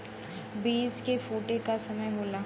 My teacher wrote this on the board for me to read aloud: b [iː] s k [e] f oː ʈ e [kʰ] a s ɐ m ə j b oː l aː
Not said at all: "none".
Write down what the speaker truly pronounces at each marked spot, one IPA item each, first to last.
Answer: iː, e, k

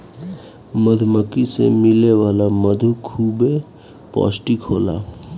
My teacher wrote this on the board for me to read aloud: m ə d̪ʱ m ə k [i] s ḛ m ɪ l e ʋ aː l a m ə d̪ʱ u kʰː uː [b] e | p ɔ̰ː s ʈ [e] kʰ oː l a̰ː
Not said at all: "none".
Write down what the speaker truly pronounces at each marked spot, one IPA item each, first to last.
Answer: i, b, i

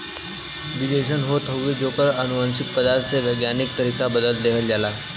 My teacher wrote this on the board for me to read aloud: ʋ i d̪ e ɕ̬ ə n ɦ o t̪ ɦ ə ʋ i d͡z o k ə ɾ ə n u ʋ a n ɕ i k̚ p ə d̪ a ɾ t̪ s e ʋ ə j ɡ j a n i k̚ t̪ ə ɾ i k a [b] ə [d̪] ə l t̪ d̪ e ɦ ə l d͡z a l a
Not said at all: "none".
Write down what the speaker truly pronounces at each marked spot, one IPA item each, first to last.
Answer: b, d̪

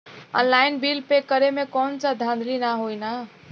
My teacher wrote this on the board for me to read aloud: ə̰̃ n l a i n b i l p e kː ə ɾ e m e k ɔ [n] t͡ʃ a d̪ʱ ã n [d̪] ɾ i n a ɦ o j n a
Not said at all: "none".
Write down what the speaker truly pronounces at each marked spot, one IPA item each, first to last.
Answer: n, d̪

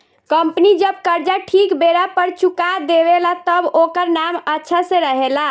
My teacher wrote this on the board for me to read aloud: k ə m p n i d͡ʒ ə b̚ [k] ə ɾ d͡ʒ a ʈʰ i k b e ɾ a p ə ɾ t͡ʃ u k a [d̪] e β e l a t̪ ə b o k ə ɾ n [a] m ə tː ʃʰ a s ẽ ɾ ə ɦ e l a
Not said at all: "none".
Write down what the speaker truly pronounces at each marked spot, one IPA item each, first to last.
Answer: k, d̪, a

